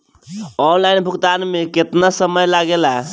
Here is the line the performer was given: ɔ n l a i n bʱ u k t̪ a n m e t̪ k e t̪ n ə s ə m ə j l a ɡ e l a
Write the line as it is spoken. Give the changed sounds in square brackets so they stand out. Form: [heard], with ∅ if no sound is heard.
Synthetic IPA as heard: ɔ n l a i n bʱ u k t̪ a n m e [∅] k e t̪ n [a] s ə m ə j l a ɡ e l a